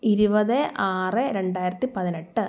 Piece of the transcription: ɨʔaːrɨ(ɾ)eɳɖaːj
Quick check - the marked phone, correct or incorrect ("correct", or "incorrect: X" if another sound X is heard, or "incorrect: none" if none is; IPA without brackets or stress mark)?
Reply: correct